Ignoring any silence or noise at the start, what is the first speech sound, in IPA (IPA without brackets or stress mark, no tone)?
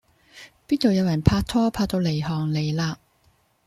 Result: p